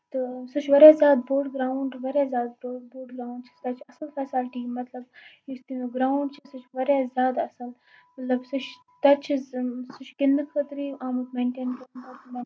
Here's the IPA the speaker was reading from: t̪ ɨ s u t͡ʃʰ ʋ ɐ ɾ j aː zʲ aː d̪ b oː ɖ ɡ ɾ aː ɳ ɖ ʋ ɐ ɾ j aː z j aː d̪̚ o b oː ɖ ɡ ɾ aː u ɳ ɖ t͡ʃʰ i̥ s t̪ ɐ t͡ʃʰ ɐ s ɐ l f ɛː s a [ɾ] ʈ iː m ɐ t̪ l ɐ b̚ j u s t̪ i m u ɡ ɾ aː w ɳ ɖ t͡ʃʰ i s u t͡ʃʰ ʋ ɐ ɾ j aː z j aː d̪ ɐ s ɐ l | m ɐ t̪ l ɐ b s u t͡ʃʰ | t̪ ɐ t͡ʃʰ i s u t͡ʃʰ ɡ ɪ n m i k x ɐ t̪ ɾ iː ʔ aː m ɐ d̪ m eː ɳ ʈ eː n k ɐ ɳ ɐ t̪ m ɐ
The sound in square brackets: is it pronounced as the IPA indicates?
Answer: no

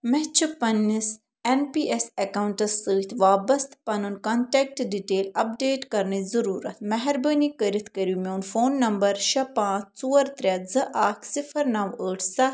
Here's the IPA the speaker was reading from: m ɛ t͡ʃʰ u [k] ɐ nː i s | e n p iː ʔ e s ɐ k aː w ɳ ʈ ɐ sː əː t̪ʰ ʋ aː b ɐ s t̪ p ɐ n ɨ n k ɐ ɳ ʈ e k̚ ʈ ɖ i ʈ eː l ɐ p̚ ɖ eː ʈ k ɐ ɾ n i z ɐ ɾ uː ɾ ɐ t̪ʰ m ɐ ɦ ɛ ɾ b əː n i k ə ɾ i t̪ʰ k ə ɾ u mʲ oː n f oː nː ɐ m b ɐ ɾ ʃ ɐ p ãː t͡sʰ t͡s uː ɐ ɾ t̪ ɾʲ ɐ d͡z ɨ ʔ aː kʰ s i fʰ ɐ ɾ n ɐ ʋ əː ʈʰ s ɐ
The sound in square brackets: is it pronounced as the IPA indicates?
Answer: no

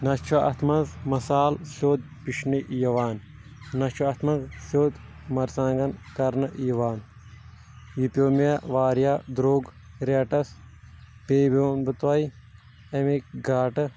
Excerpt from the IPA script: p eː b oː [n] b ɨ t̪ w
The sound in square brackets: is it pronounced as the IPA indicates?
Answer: yes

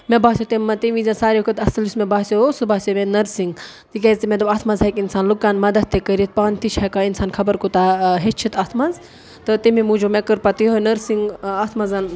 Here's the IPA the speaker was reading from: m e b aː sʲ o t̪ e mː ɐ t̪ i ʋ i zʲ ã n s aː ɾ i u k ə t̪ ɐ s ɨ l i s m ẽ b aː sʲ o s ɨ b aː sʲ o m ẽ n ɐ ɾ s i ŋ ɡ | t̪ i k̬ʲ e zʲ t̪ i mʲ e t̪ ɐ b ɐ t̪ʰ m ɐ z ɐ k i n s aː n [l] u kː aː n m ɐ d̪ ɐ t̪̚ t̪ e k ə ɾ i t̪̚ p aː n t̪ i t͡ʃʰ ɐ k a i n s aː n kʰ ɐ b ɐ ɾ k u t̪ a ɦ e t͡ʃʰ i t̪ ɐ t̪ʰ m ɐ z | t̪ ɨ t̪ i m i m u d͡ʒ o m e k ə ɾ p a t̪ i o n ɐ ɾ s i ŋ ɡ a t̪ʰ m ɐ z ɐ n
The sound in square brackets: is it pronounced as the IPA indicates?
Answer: yes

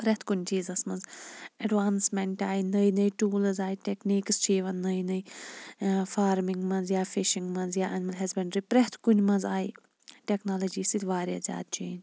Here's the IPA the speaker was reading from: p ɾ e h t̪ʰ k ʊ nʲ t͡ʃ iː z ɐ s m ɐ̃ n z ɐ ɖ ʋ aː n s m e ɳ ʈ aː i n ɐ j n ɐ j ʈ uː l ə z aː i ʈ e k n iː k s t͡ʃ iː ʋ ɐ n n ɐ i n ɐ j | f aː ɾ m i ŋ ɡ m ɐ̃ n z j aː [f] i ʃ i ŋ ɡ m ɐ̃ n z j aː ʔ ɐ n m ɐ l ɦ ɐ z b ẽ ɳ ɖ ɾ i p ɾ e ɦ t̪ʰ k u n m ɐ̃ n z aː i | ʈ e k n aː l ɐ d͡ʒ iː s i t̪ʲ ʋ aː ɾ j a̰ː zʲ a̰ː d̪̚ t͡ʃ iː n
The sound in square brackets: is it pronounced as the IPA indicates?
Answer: yes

